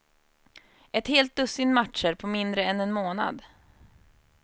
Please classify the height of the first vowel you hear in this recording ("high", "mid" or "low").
mid